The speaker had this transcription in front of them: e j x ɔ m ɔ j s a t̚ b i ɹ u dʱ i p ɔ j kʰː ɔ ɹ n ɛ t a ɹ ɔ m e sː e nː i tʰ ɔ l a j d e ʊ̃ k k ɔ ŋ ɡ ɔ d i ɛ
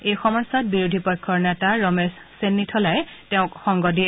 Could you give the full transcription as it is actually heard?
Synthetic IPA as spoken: e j x ɔ m ɔ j s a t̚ b i ɹ u dʱ i p ɔ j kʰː ɔ ɹ n ɛ t a ɹ ɔ m e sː e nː i tʰ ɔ l a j t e ʊ̃ k x ɔ ŋ ɡ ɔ d i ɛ